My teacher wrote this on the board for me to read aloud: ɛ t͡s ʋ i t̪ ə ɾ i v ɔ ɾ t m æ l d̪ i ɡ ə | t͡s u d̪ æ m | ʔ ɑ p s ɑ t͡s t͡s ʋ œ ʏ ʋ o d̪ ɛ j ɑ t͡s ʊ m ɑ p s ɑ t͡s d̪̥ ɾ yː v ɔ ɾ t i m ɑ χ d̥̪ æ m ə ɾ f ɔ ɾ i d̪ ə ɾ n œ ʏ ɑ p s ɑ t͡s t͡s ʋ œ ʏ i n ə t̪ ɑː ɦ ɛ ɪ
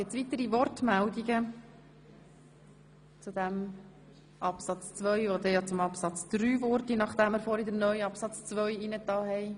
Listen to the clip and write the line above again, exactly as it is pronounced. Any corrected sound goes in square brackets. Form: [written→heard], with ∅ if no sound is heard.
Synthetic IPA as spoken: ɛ t͡s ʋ i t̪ ə ɾ i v ɔ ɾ t m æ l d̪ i ɡ ə | t͡s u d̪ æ m | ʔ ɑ p s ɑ t͡s t͡s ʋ œ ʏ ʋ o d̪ ɛ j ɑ t͡s ʊ m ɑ p s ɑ t͡s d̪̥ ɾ yː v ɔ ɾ t i [m→n] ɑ χ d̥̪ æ m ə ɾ f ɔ ɾ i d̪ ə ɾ n œ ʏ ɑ p s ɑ t͡s t͡s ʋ œ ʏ i n ə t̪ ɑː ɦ ɛ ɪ